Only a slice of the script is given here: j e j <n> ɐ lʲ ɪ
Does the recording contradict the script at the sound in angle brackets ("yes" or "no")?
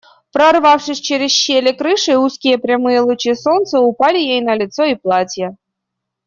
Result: no